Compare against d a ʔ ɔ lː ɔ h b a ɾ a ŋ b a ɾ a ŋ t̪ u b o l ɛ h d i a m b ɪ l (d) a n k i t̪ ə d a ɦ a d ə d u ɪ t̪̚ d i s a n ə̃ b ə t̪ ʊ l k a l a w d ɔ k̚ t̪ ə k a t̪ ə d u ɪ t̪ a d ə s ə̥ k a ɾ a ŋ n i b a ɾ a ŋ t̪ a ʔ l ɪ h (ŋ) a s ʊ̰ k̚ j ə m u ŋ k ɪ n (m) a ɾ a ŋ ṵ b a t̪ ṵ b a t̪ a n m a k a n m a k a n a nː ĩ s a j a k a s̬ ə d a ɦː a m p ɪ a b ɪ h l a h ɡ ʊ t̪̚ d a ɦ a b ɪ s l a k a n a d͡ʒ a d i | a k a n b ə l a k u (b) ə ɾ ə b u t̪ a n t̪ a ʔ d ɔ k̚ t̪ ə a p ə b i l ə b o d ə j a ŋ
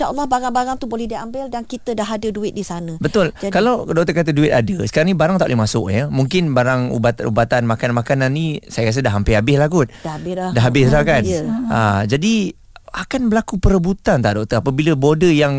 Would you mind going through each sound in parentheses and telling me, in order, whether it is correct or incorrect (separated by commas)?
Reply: correct, incorrect, incorrect, incorrect